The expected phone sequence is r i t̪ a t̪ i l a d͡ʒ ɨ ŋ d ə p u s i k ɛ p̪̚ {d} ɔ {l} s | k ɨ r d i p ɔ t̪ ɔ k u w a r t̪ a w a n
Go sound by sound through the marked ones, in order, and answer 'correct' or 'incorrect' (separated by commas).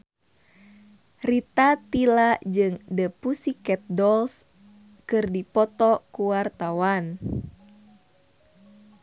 correct, correct